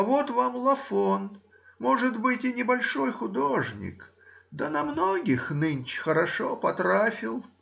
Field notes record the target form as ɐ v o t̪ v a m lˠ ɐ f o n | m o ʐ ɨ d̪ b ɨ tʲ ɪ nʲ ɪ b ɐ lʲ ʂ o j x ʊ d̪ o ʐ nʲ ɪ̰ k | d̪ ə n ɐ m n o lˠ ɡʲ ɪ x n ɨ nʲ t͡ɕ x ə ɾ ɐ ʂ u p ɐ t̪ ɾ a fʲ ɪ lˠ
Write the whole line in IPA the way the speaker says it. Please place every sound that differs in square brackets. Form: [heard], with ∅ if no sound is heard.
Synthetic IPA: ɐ v o t̪ v a m lˠ ɐ f o n | m o ʐ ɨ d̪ b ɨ tʲ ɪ nʲ ɪ b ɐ lʲ ʂ o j x ʊ d̪ o ʐ nʲ ɪ̰ k | d̪ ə n ɐ m n o [∅] ɡʲ ɪ x n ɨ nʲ t͡ɕ x ə ɾ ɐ ʂ [o] p ɐ t̪ ɾ a fʲ ɪ lˠ